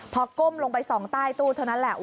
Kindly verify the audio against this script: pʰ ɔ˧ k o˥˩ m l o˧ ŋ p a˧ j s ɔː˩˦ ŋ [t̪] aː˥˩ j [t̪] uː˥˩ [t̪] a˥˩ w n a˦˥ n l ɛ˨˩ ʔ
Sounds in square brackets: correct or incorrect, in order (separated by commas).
correct, correct, incorrect